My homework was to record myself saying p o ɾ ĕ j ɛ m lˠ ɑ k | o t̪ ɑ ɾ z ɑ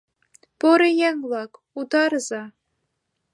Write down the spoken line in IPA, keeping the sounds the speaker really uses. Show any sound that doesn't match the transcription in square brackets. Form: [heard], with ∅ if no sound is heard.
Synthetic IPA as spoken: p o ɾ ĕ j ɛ [ŋ] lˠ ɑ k | [u] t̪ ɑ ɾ z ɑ